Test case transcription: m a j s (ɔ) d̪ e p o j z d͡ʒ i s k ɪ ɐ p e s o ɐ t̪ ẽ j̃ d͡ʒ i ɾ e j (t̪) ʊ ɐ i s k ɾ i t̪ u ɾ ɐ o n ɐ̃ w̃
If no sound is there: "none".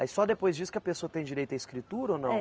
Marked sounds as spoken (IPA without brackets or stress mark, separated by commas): ɔ, t̪